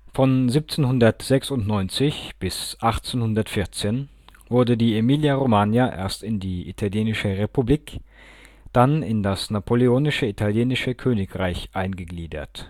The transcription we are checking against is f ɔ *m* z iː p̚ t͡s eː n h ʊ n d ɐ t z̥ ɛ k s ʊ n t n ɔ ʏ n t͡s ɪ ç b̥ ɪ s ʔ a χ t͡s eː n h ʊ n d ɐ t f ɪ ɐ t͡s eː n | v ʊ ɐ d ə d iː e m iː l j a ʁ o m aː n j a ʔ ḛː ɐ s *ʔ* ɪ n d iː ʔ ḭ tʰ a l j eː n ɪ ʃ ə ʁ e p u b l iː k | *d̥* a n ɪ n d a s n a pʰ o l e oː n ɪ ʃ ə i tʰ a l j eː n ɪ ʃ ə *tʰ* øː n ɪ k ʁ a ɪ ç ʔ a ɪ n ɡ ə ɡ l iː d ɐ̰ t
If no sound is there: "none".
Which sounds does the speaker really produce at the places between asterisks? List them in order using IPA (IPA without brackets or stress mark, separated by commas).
n, t, d̥, kʰ